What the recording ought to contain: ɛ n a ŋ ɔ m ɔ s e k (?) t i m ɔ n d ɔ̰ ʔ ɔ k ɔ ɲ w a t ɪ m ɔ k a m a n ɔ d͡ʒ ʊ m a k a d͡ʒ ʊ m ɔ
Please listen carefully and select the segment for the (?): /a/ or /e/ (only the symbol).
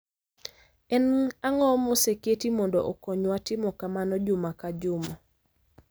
e